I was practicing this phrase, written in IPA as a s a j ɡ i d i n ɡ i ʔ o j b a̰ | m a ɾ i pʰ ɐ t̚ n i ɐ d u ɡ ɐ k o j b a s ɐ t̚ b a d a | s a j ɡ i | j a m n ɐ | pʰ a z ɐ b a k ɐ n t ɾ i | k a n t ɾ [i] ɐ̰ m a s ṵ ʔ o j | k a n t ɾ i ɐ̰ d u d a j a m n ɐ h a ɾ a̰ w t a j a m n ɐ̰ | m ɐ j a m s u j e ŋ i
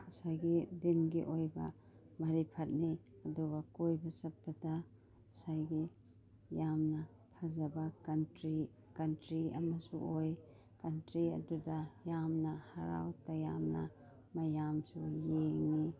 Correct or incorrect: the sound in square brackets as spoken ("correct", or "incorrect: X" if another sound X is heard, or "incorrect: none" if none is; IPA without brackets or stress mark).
correct